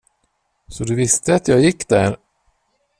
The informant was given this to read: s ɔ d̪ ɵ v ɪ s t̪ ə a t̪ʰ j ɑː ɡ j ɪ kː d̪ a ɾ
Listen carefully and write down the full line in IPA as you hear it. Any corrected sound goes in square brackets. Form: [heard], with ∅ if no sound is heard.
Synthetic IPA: s ɔ d̪ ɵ v ɪ s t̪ ə a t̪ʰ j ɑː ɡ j ɪ kː d̪ [æ] ɾ